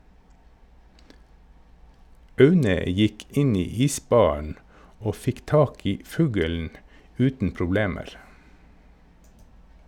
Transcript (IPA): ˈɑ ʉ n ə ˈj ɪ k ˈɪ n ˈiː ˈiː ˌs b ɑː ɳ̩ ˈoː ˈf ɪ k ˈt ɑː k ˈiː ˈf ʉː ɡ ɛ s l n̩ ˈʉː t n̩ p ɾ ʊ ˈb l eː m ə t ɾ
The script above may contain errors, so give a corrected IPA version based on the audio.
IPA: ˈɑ ʉ n ə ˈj ɪ k ˈɪ n ˈiː ˈiː ˌs b ɑː ɳ̩ ˈoː ˈf ɪ k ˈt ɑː k ˈiː ˈf ʉː ɡ ɛ l n̩ ˈʉː t n̩ p ɾ ʊ ˈb l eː m ə ɾ

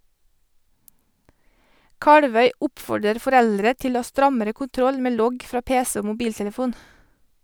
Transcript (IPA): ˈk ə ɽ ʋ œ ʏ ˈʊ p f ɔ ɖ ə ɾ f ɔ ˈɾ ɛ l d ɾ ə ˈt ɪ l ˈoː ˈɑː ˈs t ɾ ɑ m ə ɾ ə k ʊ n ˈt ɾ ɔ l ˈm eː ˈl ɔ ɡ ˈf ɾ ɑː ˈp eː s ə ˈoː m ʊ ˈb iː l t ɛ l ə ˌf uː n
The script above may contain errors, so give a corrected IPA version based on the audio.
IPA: ˈk ɑ ɽ ʋ œ ʏ ˈʊ p f ɔ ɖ ə ɾ f ɔ ˈɾ ɛ l d ɾ ə ˈt ɪ l ˈoː ˈɑː ˈs t ɾ ɑ m ə ɾ ə k ʊ n ˈt ɾ ɔ l ˈm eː ˈl ɔ ɡ ˈf ɾ ɑː ˈp eː s ə ˈoː m ʊ ˈb iː l t ɛ l ə ˌf uː n

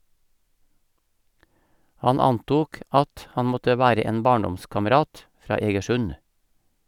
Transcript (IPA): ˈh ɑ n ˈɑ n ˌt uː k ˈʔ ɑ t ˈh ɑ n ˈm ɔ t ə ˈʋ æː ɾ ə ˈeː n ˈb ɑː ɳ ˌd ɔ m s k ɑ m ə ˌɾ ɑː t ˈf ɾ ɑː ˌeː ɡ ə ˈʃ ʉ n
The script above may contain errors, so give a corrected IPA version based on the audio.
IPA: ˈh ɑ n ˈɑ n ˌt uː k ˈʔ ɑ t ˈh ɑ n ˈm ɔ t ə ˈʋ æː ɾ ə ˈeː n ˈb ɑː ɳ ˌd ɔ m s k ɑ m ə ˌɾ ɑː t ˈf ɾ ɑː ˌeː ɡ ə ˈʃ ʉ n

